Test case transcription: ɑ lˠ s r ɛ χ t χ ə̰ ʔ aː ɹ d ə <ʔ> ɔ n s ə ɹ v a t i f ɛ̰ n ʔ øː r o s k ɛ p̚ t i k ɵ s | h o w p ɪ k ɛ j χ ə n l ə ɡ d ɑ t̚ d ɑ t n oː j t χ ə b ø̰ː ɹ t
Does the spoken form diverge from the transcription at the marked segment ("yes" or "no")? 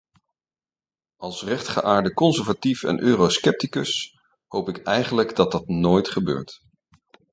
yes